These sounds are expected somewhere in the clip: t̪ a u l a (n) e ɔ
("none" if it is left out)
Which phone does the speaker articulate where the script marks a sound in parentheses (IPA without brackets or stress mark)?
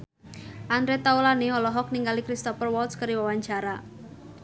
n